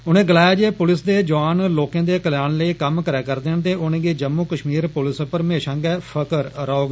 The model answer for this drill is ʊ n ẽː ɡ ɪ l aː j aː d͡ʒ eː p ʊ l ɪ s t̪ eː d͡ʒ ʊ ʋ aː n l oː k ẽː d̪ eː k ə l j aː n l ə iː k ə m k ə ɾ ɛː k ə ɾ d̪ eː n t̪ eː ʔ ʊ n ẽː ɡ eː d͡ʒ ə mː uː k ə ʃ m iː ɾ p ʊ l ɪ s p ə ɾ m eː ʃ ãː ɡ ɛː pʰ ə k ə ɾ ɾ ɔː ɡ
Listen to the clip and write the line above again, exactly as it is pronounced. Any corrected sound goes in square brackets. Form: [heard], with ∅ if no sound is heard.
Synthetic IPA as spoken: ʊ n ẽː ɡ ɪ l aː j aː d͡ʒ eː p ʊ l ɪ s [d̪] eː d͡ʒ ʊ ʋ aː n l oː k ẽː d̪ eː k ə l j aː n l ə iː k ə m k ə ɾ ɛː k ə ɾ d̪ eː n t̪ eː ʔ ʊ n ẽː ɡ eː d͡ʒ ə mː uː k ə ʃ m iː ɾ p ʊ l ɪ s p ə ɾ m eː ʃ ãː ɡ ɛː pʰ ə k ə ɾ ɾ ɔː ɡ

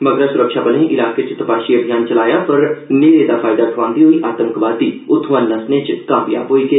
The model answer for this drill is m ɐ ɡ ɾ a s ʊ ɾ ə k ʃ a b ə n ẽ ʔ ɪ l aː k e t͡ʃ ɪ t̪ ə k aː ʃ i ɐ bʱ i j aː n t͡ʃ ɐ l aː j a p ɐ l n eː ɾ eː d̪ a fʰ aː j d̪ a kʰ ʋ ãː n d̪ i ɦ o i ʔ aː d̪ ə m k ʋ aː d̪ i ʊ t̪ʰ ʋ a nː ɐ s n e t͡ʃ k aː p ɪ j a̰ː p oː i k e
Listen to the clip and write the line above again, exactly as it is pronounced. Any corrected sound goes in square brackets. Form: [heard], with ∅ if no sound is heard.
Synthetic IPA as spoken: m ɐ ɡ ɾ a s ʊ ɾ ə k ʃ a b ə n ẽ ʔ ɪ l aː k e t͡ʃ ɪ t̪ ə [p] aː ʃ i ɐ bʱ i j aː n t͡ʃ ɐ l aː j a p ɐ [ɾ] n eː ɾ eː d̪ a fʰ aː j d̪ a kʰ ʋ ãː n d̪ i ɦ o i ʔ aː [t̪] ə m k ʋ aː d̪ i ʊ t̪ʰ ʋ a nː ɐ s n e t͡ʃ k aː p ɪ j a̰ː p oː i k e

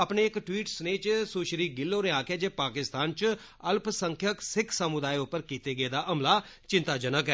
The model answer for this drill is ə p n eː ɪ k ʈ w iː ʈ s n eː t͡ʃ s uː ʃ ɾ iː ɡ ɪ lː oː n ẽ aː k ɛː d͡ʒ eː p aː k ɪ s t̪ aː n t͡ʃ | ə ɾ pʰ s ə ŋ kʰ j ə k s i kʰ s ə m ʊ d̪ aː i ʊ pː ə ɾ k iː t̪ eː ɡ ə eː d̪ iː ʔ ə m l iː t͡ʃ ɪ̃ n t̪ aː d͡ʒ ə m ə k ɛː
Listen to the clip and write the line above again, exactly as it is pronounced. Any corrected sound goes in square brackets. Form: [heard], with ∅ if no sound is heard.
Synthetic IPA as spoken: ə p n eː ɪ k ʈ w iː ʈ s n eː t͡ʃ s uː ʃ ɾ iː ɡ ɪ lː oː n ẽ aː k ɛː d͡ʒ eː p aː k ɪ s t̪ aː n t͡ʃ | ə [l] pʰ s ə ŋ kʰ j ə k s [ɪ] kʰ s ə m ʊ d̪ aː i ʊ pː ə ɾ k iː t̪ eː ɡ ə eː d̪ [aː] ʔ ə m l [aː] t͡ʃ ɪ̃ n t̪ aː d͡ʒ ə [n] ə k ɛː

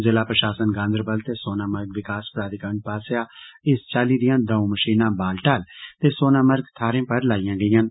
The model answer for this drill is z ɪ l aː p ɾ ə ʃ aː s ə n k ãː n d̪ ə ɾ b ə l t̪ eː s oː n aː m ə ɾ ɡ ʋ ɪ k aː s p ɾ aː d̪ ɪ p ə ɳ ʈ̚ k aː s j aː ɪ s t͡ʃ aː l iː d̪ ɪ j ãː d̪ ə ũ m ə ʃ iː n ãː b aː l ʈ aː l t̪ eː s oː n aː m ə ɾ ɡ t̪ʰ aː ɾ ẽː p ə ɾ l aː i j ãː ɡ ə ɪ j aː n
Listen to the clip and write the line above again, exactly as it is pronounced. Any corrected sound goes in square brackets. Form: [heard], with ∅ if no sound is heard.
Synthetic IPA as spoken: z ɪ l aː p ɾ ə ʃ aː s ə n [ɡ] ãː n d̪ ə ɾ b ə l t̪ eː s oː n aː m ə ɾ ɡ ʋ ɪ k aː s p ɾ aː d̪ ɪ [k] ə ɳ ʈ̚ [p] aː s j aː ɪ s t͡ʃ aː l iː d̪ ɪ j ãː d̪ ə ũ m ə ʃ iː n ãː b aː l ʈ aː l t̪ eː s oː n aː m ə ɾ ɡ t̪ʰ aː ɾ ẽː p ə ɾ l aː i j ãː ɡ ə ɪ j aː n

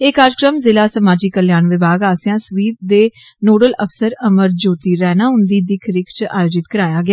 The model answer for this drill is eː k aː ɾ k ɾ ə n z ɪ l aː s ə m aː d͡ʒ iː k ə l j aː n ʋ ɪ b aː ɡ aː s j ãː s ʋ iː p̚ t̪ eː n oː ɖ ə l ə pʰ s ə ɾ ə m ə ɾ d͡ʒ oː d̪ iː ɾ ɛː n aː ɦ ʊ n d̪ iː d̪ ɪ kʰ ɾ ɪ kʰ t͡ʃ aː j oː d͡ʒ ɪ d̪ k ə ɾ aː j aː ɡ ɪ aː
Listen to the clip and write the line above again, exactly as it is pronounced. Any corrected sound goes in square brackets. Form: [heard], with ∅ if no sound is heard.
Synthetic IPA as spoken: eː k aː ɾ k ɾ ə [m] z ɪ l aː s ə m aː d͡ʒ iː k ə l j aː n ʋ ɪ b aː ɡ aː s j ãː s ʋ iː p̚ [d̪] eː n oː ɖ ə l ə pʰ s ə ɾ ə m ə ɾ d͡ʒ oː [t̪] iː ɾ ɛː n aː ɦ ʊ n d̪ iː d̪ ɪ kʰ ɾ ɪ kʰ t͡ʃ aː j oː d͡ʒ ɪ [t̪] k ə ɾ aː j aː ɡ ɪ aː

